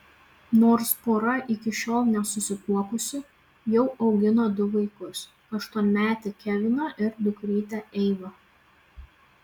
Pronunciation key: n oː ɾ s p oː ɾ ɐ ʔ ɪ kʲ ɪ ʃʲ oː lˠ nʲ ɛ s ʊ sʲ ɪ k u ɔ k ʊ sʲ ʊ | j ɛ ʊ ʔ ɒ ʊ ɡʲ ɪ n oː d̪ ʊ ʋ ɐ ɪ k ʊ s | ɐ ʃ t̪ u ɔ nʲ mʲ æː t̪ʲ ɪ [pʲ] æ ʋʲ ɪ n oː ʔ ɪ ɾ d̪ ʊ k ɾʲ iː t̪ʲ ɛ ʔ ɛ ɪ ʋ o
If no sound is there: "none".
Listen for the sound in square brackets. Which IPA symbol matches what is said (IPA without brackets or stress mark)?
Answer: kʲ